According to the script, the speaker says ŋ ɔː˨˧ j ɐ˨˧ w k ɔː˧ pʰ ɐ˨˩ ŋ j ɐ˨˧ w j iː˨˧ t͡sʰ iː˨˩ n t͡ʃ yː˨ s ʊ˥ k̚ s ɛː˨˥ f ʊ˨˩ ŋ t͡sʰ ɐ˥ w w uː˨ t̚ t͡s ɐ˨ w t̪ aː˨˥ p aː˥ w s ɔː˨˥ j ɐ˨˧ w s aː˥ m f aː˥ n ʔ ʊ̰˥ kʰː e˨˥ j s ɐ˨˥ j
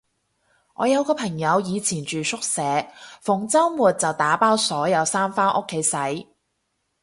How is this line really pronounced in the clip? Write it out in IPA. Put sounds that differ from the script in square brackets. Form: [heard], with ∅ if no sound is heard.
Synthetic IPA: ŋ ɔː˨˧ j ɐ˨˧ w k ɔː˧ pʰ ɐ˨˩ ŋ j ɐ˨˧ w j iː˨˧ t͡sʰ iː˨˩ n t͡ʃ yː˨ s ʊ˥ k̚ s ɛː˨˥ f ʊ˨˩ ŋ [t͡s] ɐ˥ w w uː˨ t̚ t͡s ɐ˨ w t̪ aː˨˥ p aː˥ w s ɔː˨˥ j ɐ˨˧ w s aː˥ m f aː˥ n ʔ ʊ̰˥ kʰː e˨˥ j s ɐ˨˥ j